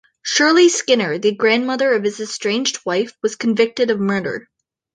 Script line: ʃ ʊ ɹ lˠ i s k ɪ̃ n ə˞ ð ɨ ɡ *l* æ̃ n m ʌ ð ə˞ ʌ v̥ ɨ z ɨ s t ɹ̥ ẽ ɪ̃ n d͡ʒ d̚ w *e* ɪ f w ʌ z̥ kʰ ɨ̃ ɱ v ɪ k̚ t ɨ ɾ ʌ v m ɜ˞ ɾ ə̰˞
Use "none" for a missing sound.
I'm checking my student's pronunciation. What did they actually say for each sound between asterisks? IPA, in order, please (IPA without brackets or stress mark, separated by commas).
ɹ, a